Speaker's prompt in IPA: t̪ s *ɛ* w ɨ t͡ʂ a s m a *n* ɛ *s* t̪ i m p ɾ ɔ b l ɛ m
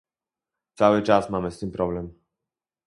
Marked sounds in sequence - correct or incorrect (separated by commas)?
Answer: incorrect, incorrect, correct